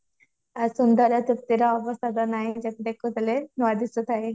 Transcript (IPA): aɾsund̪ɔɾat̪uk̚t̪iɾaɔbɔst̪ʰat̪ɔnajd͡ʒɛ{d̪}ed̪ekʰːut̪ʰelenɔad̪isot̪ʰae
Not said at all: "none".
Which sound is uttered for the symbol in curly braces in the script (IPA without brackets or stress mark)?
t̪